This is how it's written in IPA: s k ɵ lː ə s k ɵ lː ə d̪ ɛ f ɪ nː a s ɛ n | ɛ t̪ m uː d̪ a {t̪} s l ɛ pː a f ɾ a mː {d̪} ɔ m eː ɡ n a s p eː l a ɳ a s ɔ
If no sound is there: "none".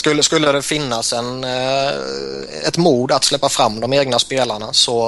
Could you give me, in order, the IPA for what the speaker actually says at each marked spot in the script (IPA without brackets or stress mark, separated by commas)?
t̪, d̪